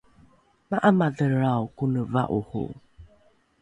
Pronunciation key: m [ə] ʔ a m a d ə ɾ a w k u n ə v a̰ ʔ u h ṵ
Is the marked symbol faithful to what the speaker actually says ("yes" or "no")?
no